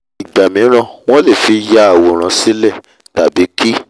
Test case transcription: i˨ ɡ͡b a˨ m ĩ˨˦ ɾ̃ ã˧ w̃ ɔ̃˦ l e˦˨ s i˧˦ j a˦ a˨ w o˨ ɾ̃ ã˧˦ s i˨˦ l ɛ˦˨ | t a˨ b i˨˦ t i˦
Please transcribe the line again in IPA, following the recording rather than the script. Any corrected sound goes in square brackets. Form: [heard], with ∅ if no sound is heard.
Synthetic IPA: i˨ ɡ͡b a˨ m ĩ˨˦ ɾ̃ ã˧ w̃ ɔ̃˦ l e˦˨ [f] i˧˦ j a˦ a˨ w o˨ ɾ̃ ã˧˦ s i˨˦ l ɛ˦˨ | t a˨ b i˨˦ [k] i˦